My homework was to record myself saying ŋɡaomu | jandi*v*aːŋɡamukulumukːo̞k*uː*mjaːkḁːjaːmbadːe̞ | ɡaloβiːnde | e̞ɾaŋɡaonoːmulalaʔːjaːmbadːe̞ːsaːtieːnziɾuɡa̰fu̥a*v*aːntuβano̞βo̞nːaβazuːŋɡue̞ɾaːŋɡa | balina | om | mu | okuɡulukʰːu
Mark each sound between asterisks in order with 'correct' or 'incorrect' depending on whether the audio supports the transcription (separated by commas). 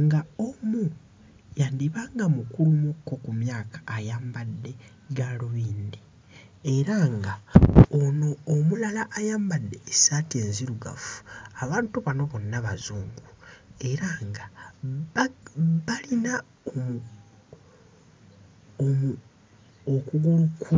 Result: incorrect, incorrect, incorrect